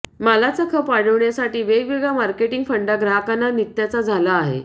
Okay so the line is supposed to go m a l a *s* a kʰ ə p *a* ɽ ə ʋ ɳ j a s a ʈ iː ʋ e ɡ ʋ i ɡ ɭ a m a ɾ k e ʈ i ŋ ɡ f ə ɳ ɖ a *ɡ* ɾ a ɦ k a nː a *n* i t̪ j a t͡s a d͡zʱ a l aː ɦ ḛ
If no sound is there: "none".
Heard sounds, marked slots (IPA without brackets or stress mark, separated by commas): t͡s, a, ɡ, n